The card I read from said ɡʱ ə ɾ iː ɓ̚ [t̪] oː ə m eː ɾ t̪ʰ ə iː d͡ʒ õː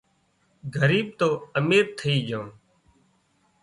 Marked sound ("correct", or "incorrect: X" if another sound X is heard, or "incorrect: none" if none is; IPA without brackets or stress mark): correct